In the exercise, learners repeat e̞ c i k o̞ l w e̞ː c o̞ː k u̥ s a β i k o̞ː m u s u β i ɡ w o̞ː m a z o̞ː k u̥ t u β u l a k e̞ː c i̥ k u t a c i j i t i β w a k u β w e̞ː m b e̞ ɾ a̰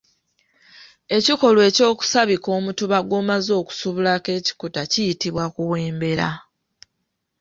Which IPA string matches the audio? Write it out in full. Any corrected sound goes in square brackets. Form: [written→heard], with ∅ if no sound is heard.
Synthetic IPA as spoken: e̞ c i k o̞ l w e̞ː c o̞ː k u̥ s a β i k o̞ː m u [s→t] u β [i→a] ɡ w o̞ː m a z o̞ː k u̥ [t→s] u β u l a k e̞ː c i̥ k u t a c i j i t i β w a k u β w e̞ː m b e̞ ɾ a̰